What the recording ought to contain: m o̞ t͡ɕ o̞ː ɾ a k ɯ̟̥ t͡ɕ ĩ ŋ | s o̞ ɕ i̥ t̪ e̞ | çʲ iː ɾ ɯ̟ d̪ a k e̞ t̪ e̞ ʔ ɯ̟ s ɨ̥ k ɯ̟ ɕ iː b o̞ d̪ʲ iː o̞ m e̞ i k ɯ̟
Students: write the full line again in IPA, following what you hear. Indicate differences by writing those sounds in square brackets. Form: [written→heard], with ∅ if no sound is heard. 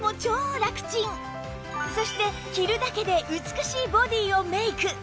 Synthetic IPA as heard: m o̞ t͡ɕ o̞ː ɾ a k ɯ̟̥ t͡ɕ ĩ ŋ | s o̞ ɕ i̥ t̪ e̞ | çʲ [iː→i] ɾ ɯ̟ d̪ a k e̞ [t̪→d̪] e̞ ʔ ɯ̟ [s→t͡s] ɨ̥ k ɯ̟ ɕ iː b o̞ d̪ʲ iː o̞ m e̞ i k ɯ̟